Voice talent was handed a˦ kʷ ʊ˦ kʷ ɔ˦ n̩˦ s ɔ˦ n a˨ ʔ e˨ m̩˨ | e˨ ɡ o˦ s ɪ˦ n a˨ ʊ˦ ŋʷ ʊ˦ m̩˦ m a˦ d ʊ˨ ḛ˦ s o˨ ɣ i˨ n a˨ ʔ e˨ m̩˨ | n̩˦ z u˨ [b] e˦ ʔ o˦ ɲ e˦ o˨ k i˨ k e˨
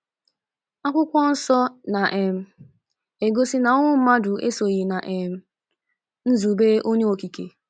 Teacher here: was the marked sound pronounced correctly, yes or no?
yes